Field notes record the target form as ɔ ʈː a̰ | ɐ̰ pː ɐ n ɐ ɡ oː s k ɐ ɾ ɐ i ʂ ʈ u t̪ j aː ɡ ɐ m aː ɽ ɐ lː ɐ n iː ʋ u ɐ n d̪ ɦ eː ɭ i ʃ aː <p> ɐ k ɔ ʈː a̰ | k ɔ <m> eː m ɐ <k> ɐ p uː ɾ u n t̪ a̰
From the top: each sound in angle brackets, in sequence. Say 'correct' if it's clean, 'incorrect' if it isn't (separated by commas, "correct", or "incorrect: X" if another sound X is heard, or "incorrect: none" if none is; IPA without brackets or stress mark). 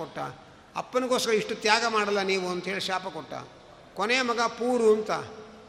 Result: correct, incorrect: n, incorrect: ɡ